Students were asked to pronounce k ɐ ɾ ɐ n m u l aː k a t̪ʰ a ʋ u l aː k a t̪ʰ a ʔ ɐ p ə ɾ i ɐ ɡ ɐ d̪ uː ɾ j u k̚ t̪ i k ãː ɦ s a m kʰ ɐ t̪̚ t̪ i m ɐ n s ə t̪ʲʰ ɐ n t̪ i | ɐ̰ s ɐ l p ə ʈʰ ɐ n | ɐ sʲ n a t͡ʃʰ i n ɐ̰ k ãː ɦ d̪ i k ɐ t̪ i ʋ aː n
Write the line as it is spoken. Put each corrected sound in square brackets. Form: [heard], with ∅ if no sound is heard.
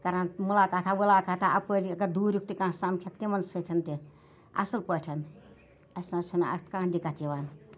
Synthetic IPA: k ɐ ɾ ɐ n m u l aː k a t̪ʰ a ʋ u l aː k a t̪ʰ a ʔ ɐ p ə ɾ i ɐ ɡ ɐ d̪ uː ɾ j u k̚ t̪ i k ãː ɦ s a m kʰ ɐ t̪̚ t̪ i m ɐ n s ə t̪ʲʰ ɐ n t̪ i | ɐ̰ s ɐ l p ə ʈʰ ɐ n | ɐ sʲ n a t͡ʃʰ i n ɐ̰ k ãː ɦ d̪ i k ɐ t̪ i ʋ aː n